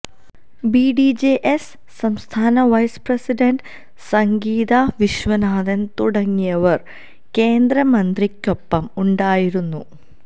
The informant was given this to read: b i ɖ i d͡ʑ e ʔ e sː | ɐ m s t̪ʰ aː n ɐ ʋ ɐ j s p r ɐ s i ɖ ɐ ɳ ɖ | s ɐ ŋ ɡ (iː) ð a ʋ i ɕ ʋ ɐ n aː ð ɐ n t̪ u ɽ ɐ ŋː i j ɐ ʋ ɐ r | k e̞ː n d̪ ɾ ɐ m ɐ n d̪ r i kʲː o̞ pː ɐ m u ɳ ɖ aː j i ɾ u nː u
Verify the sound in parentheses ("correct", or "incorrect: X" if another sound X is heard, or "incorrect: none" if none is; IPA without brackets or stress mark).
correct